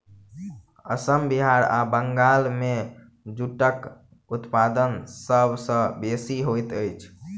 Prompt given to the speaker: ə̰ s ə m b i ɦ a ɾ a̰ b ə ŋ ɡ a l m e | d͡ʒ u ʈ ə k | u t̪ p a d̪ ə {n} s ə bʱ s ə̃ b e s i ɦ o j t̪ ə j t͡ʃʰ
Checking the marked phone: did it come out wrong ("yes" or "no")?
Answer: no